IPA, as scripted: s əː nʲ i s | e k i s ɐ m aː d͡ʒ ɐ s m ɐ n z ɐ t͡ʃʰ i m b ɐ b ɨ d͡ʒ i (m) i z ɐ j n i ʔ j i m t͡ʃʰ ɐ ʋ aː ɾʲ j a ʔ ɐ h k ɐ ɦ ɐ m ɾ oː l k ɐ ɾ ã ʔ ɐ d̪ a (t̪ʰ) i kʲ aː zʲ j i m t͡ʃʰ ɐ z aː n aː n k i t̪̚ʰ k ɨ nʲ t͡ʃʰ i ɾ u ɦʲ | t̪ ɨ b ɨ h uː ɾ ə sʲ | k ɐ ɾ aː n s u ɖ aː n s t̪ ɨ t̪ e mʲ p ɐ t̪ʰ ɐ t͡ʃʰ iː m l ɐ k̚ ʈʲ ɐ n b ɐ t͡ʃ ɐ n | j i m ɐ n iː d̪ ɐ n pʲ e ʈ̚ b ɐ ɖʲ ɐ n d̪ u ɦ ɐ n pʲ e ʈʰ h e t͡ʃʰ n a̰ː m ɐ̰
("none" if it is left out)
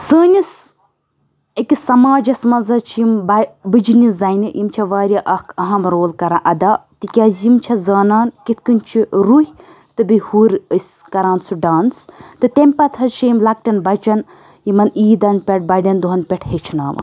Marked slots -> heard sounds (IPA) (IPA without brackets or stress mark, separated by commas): n, t̪